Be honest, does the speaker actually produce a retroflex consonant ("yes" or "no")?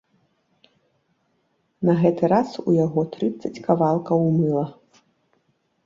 no